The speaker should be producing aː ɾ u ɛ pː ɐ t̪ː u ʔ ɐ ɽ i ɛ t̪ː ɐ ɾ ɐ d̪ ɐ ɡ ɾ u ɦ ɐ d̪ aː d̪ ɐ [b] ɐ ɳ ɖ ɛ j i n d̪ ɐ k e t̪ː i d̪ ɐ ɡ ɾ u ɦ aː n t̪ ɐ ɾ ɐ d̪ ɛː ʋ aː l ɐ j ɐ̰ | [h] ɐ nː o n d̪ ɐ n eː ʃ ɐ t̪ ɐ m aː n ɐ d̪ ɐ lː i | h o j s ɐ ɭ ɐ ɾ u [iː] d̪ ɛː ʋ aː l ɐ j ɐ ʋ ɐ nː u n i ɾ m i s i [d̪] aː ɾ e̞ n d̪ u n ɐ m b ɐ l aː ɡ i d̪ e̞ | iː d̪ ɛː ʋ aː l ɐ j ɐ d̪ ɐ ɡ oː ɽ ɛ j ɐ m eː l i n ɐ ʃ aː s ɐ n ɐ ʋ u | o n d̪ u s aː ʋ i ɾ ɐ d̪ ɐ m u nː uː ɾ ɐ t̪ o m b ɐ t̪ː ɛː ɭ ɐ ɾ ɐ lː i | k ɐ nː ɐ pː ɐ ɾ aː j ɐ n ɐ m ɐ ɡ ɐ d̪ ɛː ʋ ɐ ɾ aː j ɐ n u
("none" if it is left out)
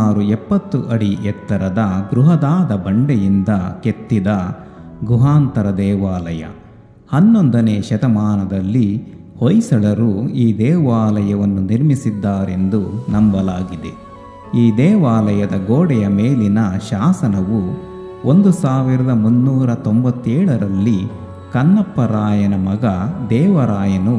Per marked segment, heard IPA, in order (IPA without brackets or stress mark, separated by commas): b, h, iː, d̪ː